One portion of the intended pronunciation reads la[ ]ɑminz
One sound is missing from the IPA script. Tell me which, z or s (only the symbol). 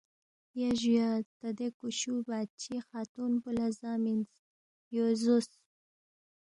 z